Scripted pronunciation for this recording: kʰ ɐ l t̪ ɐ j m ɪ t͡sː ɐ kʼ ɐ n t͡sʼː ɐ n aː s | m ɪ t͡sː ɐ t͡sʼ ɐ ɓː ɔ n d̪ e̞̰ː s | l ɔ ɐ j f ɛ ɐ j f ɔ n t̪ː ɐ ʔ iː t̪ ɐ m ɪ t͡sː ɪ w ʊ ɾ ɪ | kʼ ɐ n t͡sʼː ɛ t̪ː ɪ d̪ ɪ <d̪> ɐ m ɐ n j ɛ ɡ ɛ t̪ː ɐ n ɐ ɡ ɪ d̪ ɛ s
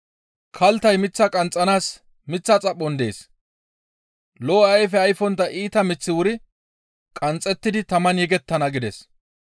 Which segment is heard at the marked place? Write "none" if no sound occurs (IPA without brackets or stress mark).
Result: t̪